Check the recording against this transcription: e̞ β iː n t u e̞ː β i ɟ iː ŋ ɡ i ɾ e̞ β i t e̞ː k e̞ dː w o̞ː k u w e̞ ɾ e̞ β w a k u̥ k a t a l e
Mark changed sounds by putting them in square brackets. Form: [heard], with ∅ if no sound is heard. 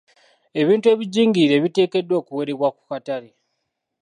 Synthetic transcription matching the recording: e̞ β iː n t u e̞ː β i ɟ iː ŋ ɡ i ɾ e̞ β i t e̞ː k e̞ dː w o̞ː k u w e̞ ɾ e̞ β w a k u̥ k a t a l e